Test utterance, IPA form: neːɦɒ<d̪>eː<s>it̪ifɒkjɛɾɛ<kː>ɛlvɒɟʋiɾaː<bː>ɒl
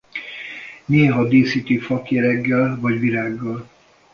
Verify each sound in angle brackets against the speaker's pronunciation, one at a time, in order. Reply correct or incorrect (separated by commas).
correct, correct, incorrect, incorrect